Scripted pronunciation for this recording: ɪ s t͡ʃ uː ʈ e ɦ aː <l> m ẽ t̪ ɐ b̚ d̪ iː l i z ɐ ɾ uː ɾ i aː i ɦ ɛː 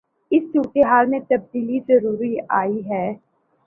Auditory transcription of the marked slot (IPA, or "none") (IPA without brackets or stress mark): l